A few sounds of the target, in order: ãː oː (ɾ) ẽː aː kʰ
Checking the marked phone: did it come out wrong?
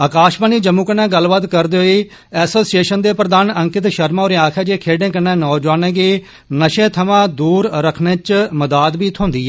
no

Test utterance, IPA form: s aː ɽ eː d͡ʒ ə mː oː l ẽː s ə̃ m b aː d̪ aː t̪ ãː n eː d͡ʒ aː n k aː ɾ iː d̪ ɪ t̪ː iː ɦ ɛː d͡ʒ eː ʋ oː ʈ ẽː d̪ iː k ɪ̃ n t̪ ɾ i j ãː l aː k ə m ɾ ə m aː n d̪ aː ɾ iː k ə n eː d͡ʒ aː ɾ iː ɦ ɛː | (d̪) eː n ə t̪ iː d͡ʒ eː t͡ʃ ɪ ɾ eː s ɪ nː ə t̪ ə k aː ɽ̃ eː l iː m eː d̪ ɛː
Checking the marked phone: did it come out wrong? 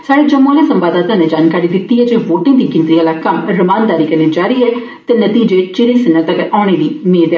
yes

